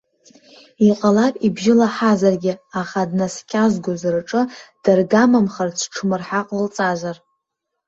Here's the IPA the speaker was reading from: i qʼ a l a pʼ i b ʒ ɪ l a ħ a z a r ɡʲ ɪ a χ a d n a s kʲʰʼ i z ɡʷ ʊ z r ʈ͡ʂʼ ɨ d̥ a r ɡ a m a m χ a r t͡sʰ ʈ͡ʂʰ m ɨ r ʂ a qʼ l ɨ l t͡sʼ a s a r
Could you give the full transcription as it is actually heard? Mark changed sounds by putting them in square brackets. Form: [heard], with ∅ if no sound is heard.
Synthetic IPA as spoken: i qʼ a l a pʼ i b ʒ ɪ l a ħ a z a r ɡʲ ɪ a χ a d n a s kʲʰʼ [a] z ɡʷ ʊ z r ʈ͡ʂʼ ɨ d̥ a r ɡ a m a m χ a r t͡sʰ ʈ͡ʂʰ m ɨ r [ħ] a qʼ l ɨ l t͡sʼ a [z] a r